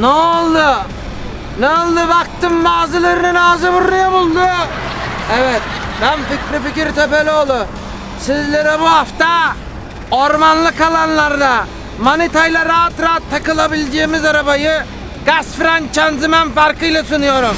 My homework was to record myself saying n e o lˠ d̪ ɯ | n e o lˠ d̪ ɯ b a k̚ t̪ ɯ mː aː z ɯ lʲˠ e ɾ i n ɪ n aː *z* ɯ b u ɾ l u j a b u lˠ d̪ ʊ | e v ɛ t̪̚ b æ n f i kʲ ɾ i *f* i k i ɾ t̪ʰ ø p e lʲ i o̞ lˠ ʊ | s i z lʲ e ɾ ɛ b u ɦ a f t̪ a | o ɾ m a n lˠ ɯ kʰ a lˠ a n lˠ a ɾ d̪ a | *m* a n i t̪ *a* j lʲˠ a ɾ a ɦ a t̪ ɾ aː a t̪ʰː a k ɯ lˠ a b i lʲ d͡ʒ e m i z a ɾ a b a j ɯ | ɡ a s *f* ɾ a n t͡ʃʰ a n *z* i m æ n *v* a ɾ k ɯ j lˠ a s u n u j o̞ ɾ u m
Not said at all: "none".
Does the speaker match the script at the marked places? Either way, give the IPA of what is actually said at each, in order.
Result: z, f, m, a, f, z, f

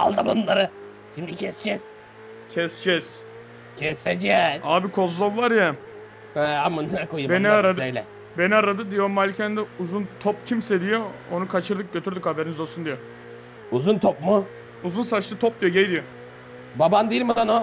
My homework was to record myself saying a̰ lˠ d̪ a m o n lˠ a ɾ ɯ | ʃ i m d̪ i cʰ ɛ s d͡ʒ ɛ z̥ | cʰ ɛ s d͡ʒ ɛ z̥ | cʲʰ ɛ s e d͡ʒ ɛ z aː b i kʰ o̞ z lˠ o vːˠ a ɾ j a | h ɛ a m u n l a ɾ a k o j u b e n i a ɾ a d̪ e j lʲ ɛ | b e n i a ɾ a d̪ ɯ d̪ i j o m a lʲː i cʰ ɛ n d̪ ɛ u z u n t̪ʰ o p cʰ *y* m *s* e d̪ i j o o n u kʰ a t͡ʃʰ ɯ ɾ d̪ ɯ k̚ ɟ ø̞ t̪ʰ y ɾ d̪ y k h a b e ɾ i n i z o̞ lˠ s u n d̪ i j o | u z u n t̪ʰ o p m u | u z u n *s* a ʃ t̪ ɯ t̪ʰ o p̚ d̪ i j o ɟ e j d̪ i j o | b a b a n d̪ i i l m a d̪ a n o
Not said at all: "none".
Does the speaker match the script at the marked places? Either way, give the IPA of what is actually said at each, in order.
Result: i, s, s

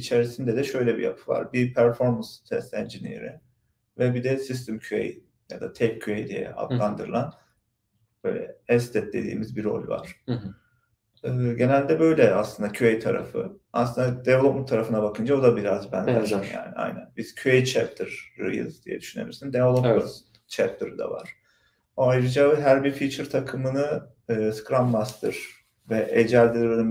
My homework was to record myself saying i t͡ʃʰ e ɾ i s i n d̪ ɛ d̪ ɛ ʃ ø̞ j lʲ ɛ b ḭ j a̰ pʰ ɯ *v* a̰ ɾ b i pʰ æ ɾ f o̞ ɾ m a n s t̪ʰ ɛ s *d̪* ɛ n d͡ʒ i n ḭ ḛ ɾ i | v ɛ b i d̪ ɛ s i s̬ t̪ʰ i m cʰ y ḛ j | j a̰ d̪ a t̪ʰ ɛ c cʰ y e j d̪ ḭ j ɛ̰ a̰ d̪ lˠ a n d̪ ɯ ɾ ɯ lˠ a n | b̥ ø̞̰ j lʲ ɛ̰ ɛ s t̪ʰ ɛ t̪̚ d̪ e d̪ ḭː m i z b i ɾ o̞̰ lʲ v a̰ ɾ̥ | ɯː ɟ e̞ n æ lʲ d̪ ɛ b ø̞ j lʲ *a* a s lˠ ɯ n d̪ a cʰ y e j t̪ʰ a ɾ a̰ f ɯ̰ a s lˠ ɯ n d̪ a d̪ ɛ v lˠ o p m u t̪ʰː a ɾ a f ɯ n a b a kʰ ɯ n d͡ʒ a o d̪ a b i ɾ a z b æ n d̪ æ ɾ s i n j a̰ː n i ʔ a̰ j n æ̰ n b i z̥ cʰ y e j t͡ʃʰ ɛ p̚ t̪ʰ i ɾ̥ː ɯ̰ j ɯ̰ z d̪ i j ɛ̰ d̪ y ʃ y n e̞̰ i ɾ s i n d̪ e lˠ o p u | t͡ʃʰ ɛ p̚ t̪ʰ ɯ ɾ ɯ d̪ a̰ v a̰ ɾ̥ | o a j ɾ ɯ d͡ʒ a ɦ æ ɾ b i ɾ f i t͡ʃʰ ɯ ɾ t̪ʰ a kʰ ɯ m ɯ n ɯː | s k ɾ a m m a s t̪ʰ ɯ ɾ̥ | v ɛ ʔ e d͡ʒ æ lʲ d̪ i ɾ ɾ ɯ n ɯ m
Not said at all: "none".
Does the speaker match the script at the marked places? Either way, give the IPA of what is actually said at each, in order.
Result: v, t̪, ɛ

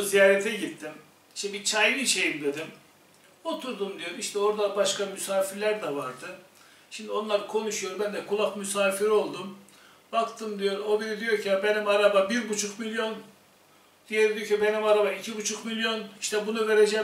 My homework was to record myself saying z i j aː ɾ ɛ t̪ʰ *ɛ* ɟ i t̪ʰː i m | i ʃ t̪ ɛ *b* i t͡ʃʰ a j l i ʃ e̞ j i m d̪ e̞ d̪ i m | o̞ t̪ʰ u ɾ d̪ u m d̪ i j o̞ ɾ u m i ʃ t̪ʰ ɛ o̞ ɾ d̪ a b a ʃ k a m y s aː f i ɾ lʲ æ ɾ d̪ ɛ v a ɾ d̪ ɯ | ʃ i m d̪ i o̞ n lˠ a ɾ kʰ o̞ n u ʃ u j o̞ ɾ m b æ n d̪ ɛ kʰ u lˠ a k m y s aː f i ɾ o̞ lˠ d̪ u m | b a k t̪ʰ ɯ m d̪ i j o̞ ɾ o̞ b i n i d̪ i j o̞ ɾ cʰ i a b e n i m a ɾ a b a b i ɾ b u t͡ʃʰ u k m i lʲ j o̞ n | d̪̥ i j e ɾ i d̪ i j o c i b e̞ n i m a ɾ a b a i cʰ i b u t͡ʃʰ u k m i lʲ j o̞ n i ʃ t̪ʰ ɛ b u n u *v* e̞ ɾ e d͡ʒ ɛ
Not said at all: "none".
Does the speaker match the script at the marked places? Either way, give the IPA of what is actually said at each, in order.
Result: ɛ, b, v

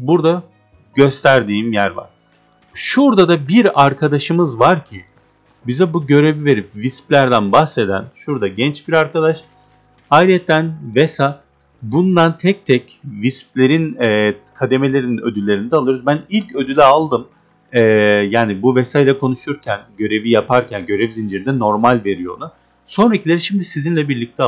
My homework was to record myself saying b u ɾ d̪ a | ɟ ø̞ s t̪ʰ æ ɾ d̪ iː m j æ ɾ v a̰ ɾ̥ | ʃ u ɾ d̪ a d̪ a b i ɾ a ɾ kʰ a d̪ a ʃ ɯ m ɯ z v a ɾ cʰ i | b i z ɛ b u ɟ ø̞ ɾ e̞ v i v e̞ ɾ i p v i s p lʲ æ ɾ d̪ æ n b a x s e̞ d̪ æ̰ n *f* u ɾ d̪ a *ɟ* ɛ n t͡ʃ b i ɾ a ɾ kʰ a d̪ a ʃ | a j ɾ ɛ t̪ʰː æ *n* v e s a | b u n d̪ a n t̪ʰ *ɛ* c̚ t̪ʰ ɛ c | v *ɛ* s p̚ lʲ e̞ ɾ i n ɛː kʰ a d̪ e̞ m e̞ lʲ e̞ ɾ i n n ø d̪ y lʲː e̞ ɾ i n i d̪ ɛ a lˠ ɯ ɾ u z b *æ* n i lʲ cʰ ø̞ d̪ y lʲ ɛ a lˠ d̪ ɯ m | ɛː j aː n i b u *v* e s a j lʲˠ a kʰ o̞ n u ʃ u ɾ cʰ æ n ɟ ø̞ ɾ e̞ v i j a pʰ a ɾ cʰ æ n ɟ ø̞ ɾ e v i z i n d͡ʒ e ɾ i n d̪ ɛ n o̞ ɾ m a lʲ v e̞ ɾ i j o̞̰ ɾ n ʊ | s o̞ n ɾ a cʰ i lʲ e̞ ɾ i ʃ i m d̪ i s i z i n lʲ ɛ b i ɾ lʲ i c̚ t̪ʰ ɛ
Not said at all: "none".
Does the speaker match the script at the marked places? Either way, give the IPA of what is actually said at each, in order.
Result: ʃ, ɟ, n, ɛ, i, æ, v

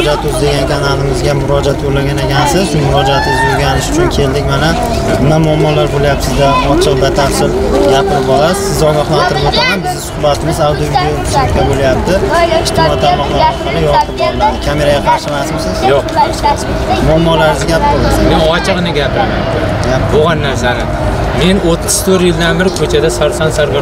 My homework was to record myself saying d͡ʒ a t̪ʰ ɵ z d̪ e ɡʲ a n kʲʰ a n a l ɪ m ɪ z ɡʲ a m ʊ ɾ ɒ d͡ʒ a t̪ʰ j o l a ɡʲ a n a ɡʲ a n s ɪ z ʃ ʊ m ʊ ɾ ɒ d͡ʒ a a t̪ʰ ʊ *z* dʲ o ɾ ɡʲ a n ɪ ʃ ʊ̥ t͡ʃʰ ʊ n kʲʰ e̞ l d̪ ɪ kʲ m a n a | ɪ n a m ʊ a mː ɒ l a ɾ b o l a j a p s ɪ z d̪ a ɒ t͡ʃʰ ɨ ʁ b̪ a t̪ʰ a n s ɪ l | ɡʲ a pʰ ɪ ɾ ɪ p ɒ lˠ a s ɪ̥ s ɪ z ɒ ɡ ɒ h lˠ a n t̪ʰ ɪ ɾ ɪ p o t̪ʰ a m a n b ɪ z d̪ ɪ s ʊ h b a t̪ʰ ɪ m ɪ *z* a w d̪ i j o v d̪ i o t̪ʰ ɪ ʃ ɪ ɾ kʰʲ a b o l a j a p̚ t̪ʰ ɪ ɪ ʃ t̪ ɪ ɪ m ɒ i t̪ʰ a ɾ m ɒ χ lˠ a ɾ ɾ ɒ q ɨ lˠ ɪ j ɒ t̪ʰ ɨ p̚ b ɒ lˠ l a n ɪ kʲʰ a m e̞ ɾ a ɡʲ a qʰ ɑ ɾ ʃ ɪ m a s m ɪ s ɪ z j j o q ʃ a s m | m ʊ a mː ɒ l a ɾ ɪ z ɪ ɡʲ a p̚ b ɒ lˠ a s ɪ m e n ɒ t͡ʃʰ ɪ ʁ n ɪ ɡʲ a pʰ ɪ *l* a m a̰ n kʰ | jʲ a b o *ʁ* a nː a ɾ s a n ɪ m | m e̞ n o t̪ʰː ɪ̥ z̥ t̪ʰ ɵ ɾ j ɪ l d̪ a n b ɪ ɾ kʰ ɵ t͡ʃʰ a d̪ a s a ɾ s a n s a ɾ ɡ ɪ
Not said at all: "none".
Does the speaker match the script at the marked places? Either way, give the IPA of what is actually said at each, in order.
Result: z, z, ɾ, ʁ

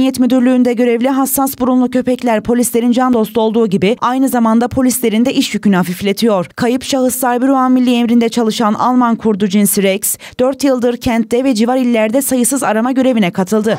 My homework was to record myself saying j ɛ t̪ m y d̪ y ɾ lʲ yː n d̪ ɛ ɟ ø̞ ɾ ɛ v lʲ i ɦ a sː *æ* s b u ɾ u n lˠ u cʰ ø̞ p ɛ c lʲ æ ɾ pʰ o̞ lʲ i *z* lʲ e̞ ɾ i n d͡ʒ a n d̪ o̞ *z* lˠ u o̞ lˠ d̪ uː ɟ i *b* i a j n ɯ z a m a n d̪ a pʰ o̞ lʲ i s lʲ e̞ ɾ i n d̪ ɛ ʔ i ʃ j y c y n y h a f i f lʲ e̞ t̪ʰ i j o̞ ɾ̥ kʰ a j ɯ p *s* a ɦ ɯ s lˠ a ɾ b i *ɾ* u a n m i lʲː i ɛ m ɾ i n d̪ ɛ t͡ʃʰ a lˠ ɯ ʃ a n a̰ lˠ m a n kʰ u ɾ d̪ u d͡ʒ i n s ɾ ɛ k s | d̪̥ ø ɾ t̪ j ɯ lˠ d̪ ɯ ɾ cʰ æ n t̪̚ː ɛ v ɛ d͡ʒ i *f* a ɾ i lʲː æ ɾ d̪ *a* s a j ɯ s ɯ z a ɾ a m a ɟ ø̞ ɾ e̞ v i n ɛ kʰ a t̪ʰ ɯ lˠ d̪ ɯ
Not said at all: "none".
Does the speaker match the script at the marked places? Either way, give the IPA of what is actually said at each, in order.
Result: a, s, s, b, ʃ, ɾ, v, ɛ

